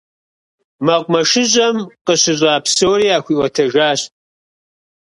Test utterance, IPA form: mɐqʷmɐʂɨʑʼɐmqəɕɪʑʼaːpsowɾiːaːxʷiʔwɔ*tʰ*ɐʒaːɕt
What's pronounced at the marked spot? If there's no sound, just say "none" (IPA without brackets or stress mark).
tʰ